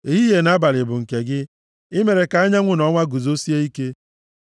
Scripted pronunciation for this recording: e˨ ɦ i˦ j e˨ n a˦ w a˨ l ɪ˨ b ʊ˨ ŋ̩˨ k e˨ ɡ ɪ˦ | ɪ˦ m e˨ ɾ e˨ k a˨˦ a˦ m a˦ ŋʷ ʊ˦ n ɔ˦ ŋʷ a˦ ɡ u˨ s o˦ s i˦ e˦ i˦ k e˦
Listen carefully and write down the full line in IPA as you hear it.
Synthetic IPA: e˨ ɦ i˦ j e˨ n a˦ b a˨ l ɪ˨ b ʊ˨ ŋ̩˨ k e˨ ɡ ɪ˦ | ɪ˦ m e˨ ɾ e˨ k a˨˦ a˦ ɲ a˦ ŋʷ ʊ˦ n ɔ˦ ŋʷ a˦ ɡ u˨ z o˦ s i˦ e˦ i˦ k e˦